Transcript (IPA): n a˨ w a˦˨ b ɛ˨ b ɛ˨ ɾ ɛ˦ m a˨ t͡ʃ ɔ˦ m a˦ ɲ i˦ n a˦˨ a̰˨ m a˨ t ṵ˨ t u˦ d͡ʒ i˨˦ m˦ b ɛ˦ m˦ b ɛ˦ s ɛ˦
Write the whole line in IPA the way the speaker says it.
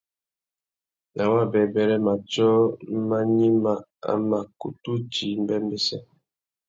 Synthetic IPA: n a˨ w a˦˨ b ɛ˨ b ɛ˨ ɾ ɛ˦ m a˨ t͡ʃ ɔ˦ m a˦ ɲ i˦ m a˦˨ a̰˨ m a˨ k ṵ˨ t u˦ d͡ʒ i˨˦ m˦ b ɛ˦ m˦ b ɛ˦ s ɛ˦